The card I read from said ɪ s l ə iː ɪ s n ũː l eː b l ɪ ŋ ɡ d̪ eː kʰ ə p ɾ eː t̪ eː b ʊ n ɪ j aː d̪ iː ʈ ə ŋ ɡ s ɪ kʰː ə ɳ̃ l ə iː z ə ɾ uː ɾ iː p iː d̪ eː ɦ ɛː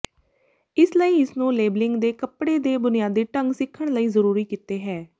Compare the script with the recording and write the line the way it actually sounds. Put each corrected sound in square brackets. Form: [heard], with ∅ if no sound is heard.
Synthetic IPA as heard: ɪ s l ə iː ɪ s n ũː l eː b l ɪ ŋ ɡ d̪ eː [k] ə p [ɽ] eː [d̪] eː b ʊ n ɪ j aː d̪ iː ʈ ə ŋ ɡ s ɪ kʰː ə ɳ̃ l ə iː z ə ɾ uː ɾ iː [k] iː [t̪] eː ɦ ɛː